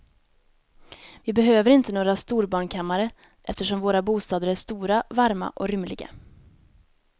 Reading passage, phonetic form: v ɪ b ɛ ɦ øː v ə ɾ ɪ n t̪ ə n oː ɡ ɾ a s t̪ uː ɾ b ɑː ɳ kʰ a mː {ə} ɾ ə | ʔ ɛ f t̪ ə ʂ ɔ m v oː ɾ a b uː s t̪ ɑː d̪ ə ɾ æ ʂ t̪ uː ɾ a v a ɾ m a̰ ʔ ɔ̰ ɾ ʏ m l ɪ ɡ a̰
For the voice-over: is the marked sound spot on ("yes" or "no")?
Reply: no